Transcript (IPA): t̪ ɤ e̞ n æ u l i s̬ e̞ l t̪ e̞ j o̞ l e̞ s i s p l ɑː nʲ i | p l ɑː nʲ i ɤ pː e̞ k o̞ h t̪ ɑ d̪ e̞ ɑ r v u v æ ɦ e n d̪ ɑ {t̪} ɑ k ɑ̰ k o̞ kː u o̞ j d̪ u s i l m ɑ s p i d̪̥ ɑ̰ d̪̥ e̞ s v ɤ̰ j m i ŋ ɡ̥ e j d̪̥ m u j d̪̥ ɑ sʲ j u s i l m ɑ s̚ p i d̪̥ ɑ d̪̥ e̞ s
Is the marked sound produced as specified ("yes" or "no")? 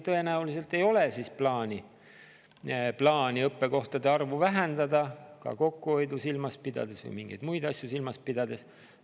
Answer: no